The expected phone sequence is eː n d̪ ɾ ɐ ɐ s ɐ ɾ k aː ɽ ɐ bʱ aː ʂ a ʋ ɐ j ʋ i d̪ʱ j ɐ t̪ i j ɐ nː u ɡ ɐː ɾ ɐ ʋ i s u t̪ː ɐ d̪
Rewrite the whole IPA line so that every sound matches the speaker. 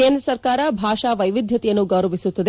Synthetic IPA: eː n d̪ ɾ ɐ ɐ s ɐ ɾ k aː ɾ ɐ bʱ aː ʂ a ʋ ɐ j ʋ i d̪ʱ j ɐ t̪ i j ɐ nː u ɡ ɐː ɾ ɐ ʋ i s u t̪ː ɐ d̪